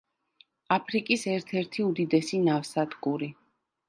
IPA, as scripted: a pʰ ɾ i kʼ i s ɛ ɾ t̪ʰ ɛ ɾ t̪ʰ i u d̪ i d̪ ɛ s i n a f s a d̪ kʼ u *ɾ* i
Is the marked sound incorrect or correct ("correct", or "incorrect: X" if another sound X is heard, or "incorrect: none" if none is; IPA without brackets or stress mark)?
correct